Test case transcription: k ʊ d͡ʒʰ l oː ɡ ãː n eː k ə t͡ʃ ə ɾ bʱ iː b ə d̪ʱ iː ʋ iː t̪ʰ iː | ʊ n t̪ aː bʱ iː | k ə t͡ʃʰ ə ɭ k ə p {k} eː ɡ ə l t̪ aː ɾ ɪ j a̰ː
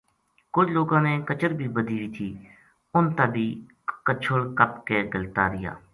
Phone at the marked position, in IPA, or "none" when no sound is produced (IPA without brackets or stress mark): k